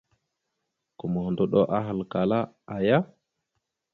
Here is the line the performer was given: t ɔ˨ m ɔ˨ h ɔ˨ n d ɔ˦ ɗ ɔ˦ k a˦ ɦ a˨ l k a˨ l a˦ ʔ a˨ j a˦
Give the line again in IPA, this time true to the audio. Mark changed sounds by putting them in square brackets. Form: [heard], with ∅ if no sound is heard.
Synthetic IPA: [k] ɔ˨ m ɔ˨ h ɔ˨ n d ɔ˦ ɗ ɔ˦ [ʔ] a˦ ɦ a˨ l k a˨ l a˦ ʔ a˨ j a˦